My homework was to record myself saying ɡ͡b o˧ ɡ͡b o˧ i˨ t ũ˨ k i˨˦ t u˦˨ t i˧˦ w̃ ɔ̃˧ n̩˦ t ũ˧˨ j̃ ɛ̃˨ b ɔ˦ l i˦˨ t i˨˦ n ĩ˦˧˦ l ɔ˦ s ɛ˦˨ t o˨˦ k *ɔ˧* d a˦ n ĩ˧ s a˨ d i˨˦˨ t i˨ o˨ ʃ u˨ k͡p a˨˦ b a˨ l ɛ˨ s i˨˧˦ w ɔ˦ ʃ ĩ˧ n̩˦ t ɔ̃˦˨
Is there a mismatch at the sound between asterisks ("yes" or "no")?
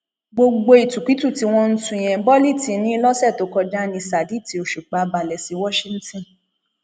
no